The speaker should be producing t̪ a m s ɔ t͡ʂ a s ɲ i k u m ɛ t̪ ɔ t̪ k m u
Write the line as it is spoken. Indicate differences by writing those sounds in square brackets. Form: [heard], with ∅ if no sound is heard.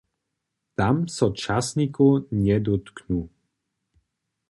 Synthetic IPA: t̪ a m s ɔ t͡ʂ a s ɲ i k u [ɲ] ɛ [d̪] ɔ t̪ k [n] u